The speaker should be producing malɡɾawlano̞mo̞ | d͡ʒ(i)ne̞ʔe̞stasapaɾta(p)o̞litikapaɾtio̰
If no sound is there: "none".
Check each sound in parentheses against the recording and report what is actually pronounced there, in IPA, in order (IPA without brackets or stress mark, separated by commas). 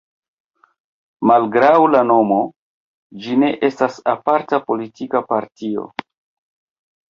i, p